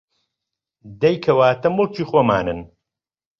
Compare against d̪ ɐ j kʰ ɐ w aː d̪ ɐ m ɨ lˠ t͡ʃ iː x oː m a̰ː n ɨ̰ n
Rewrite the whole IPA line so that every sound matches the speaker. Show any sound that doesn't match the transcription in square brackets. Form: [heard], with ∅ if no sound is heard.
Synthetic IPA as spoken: d̪ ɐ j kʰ ɐ w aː [t̪] ɐ m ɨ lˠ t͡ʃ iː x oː m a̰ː n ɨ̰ n